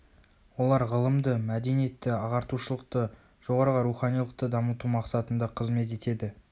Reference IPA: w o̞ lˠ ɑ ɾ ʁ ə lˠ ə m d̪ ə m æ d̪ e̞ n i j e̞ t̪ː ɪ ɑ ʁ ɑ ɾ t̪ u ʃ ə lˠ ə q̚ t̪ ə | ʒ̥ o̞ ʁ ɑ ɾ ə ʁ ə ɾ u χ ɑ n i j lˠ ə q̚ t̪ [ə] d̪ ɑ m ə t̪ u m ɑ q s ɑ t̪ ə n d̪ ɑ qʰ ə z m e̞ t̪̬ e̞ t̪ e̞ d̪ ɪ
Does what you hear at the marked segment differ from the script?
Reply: no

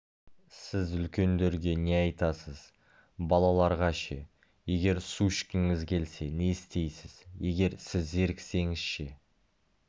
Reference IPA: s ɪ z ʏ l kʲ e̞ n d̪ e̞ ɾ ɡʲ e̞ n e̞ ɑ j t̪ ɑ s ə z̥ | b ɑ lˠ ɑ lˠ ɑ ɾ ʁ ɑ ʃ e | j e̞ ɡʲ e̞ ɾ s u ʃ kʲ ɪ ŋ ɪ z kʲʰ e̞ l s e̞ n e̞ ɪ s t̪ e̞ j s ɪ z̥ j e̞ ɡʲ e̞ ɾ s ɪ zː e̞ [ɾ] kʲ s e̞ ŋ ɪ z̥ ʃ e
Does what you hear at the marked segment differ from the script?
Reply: no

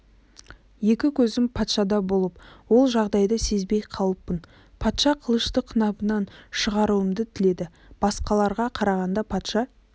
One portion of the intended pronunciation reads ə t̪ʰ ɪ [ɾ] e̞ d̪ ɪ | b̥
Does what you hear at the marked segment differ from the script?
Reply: yes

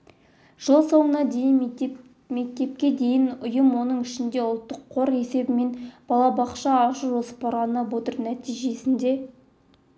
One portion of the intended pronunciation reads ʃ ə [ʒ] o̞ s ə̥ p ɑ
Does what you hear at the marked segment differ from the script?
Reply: no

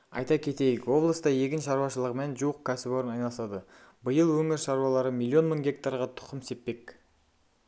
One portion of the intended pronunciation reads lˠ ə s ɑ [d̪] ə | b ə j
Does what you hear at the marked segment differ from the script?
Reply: no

